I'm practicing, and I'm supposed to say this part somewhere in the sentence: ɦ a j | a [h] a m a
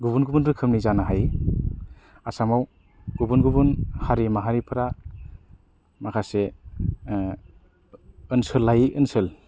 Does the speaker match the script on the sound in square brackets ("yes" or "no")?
no